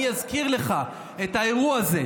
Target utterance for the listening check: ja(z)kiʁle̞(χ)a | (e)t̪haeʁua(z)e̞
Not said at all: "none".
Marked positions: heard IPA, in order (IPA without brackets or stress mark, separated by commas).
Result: z, χ, e, z